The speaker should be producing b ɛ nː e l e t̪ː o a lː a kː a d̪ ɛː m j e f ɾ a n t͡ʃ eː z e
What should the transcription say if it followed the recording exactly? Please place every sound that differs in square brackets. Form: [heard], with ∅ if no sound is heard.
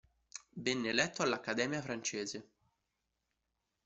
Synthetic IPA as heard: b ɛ nː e l [ɛ] t̪ː o a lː a kː a d̪ ɛː m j [a] f ɾ a n t͡ʃ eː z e

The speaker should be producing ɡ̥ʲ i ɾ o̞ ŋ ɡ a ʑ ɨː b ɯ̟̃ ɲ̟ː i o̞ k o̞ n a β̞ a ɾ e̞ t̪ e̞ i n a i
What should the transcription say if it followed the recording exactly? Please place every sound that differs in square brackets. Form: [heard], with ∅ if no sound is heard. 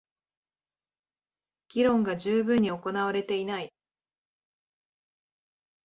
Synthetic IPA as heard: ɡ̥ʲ i ɾ [õ̞] ŋ ɡ a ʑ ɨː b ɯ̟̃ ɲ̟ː i o̞ k o̞ n a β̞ a ɾ e̞ t̪ e̞ i n a i

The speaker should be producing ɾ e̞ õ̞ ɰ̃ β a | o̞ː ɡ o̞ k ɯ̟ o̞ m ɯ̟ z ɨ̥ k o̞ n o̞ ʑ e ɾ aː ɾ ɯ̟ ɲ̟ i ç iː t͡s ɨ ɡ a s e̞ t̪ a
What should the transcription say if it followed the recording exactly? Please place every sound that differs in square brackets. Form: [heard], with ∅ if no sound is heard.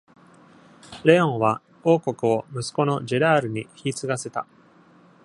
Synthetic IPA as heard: ɾ e̞ õ̞ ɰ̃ β a | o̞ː [k] o̞ k ɯ̟ o̞ m ɯ̟ [s] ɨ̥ k o̞ n o̞ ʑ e ɾ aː ɾ ɯ̟ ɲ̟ i ç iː t͡s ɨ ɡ a s e̞ t̪ a

